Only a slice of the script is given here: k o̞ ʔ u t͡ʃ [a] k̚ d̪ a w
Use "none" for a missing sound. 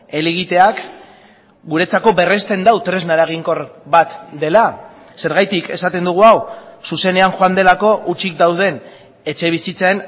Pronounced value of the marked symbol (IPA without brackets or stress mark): i